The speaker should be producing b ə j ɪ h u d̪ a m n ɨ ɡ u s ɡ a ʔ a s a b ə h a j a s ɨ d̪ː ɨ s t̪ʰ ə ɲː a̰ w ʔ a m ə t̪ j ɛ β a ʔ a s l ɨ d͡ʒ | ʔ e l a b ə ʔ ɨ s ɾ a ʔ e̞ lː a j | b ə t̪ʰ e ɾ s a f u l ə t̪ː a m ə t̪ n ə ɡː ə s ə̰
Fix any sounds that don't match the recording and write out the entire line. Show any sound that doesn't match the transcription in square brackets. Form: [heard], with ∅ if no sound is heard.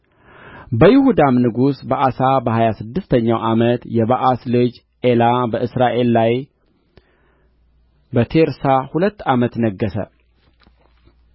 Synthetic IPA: b ə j ɪ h u d̪ a m n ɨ ɡ u s [b] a ʔ a s a b ə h a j a s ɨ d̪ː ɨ s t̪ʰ ə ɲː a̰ w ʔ a m ə t̪ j ɛ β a ʔ a s l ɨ d͡ʒ | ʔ e l a b ə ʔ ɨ s ɾ a ʔ e̞ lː a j | b ə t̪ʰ e ɾ s a [h] u l ə t̪ː a m ə t̪ n ə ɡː ə s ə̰

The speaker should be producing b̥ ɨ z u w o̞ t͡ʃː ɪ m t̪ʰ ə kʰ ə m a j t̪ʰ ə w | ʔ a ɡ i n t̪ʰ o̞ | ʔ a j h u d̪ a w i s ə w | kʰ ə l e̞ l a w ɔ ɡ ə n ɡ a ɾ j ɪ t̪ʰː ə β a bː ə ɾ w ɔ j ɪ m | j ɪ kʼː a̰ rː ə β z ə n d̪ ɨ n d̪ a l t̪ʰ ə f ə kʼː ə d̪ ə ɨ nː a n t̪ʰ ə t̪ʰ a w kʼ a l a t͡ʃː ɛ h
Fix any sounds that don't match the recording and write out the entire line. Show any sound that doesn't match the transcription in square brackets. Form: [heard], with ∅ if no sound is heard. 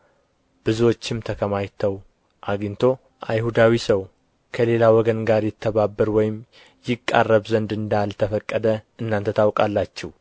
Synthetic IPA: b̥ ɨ z u w o̞ t͡ʃː ɪ m t̪ʰ ə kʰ ə m a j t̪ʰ ə w | ʔ a ɡ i n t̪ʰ o̞ | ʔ a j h u d̪ a w i s ə w | kʰ ə l e̞ l a w ɔ ɡ ə n ɡ a ɾ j ɪ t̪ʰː ə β a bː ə ɾ w ɔ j ɪ m | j ɪ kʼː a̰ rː ə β z ə n d̪ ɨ n d̪ a l t̪ʰ ə f ə kʼː ə d̪ ə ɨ nː a n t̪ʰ ə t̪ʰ a w kʼ a [lː] a t͡ʃː ɛ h

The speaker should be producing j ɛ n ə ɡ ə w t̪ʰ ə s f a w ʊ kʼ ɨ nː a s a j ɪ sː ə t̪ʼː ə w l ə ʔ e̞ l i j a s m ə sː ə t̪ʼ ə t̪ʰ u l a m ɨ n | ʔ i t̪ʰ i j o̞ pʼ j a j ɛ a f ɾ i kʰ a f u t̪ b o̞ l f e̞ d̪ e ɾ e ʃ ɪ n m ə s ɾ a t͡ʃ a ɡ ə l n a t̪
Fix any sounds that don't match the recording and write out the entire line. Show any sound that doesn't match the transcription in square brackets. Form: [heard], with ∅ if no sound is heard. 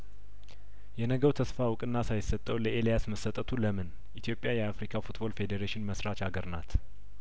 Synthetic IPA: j ɛ n ə ɡ ə w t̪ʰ ə s f a w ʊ kʼ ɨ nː a s a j ɪ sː ə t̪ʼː ə w l ə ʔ e̞ l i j a s m ə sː ə t̪ʼ ə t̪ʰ u l [ə] m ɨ n | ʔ i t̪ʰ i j o̞ pʼ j a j ɛ a f ɾ i kʰ a f u t̪ b o̞ l f e̞ d̪ e ɾ e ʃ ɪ n m ə s ɾ a t͡ʃ a ɡ ə [ɾ] n a t̪

